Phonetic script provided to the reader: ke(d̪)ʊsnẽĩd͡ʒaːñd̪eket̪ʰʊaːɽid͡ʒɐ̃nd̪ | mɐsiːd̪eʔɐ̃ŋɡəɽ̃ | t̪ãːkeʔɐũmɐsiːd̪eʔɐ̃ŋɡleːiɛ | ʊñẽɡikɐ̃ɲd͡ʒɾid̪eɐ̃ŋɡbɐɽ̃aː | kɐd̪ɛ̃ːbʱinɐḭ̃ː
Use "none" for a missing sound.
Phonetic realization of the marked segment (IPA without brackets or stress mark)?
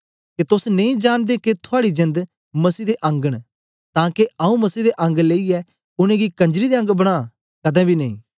t̪